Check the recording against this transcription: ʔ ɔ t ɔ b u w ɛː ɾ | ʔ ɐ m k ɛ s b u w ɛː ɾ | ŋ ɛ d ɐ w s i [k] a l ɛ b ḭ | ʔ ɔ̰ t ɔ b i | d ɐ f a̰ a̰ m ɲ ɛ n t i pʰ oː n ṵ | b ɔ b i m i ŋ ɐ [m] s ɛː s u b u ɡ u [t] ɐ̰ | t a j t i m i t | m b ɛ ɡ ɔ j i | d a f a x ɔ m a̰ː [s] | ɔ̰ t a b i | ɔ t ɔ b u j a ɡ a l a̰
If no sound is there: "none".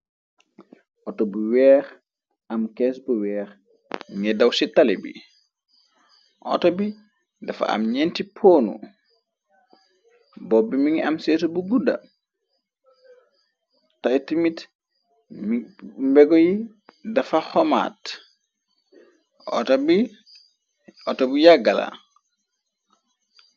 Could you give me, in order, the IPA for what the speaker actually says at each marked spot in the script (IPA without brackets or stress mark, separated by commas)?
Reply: t, m, d, t